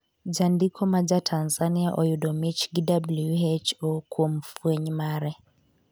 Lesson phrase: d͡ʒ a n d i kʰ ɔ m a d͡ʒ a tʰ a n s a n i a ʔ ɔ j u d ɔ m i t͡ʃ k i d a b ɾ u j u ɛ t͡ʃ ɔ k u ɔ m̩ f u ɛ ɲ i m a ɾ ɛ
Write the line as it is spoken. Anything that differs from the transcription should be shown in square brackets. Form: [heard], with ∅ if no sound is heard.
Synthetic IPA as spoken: d͡ʒ a n d i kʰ ɔ m a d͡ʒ a tʰ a n [z] a n i a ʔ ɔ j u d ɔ m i t͡ʃ [ɡ] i d a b [l] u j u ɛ t͡ʃ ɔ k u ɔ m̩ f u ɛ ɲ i m a ɾ ɛ

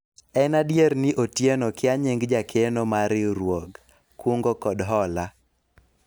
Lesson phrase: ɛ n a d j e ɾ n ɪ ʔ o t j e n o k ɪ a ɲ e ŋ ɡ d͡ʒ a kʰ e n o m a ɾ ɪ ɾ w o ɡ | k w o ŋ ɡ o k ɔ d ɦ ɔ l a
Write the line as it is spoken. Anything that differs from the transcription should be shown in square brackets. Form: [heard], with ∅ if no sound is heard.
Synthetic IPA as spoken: ɛ n a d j e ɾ n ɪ ʔ o t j e n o k ɪ a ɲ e ŋ ɡ d͡ʒ a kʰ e n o m a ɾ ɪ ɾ w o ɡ | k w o ŋ ɡ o k ɔ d ɦ ɔ l a

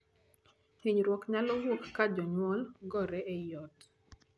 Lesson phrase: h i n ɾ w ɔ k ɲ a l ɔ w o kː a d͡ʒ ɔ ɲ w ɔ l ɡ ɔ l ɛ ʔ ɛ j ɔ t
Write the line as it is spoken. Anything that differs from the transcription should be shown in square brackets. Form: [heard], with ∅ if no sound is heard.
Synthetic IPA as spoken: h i [ɲ] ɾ w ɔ k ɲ a l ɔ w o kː a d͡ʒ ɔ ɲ w ɔ l ɡ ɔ [ɾ] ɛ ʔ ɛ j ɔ t

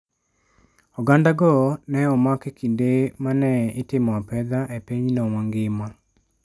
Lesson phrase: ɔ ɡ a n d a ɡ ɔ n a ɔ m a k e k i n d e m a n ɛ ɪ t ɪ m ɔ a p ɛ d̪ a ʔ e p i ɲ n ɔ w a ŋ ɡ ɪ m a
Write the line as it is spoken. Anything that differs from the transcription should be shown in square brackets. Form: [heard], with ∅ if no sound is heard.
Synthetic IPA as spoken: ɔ ɡ a n d a ɡ ɔ n [ɛ] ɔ m a k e k i n d e m a n ɛ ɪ t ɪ m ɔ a p ɛ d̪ a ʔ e p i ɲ n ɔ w a ŋ ɡ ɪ m a

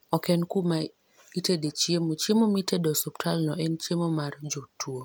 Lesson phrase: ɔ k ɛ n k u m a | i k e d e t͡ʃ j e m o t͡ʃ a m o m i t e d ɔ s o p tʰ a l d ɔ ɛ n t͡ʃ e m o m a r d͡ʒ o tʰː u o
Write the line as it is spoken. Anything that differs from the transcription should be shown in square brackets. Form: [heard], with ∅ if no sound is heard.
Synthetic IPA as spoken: ɔ k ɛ n k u m a | i [t] e d e t͡ʃ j e m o t͡ʃ [e] m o m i t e d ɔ s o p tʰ a l [n] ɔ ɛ n t͡ʃ e m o m a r d͡ʒ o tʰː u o

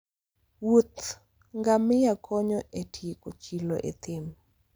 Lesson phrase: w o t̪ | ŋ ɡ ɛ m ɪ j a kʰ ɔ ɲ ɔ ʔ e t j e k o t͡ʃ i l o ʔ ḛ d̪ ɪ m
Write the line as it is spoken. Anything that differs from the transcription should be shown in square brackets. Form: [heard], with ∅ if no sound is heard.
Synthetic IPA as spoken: w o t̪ | ŋ ɡ [a] m ɪ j a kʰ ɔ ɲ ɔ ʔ e t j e k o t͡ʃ i l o ʔ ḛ [t̪] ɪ m

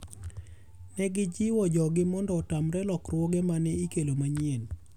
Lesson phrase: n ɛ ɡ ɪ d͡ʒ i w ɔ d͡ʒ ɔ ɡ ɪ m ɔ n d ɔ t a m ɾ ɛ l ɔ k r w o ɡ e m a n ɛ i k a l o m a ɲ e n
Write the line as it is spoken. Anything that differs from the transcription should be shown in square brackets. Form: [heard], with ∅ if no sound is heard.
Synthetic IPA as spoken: n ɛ ɡ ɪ d͡ʒ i w ɔ d͡ʒ ɔ ɡ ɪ m ɔ n d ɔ t a m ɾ ɛ l ɔ k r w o ɡ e m a n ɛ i k [e] l o m a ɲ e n

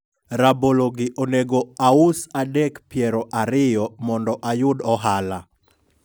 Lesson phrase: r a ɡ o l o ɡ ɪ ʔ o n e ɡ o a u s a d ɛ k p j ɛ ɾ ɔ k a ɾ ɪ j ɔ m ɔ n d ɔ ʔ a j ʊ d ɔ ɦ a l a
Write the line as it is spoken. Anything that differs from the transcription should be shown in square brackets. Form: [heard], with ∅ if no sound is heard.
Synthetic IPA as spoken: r a [b] o l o ɡ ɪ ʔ o n e ɡ o a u s a d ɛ k p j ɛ ɾ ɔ [ʔ] a ɾ ɪ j ɔ m ɔ n d ɔ ʔ a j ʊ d ɔ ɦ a l a

